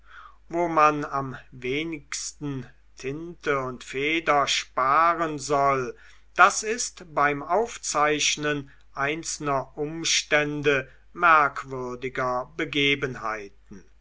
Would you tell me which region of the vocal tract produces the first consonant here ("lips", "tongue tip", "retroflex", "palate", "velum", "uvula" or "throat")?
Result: lips